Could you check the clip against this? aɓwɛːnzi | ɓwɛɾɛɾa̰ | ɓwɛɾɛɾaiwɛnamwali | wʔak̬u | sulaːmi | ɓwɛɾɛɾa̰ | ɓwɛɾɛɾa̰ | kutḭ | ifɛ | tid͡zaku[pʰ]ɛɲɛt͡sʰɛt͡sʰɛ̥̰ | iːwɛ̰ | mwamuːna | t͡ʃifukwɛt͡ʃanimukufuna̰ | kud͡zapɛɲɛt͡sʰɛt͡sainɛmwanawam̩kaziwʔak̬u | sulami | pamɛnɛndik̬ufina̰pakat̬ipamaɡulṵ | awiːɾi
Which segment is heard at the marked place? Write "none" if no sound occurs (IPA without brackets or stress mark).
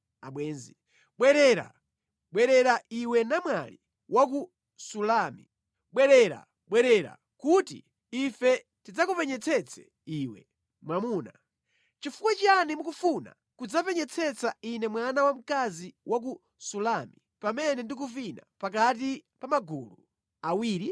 p